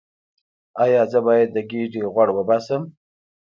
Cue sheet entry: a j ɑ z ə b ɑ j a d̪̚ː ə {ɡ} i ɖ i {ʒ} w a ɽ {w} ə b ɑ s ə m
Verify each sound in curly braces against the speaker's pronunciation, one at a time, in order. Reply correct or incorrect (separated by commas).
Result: correct, incorrect, correct